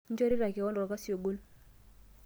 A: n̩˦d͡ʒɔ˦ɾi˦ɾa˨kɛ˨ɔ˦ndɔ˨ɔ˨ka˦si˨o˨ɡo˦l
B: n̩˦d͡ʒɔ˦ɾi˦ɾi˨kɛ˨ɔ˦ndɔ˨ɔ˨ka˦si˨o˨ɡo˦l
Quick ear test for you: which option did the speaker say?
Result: A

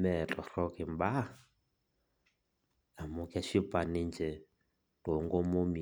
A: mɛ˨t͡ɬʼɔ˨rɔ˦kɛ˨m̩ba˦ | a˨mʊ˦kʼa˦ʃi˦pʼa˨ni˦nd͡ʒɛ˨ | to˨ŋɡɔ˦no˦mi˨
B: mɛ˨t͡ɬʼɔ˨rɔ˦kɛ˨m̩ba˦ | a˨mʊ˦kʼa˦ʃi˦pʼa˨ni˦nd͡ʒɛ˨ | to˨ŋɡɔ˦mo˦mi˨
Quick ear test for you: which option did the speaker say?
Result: B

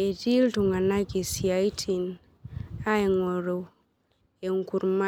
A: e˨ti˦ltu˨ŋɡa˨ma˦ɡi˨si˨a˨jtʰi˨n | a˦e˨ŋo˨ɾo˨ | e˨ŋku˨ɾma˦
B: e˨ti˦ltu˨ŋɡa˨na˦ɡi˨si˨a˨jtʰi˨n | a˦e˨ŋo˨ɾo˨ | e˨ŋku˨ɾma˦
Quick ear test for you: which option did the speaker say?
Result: B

